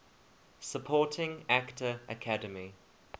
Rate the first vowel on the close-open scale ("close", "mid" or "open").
mid